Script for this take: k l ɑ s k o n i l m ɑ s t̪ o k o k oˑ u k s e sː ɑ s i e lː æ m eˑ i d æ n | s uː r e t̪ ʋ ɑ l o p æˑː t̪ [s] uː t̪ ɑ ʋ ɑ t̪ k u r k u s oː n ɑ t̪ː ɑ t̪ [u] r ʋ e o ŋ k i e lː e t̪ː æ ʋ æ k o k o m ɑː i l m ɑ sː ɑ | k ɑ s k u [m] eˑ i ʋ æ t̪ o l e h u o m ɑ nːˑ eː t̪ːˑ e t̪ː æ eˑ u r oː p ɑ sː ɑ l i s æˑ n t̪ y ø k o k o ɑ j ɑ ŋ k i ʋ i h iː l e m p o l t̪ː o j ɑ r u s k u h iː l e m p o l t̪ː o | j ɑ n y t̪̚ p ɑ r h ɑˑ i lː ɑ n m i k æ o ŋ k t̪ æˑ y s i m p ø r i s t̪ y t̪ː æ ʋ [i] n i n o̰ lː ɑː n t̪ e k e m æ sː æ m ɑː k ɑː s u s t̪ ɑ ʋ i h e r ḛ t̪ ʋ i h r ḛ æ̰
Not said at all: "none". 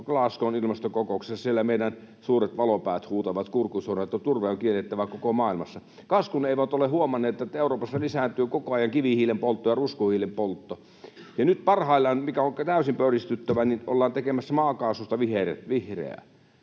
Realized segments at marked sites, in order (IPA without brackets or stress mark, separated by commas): h, u, n, æ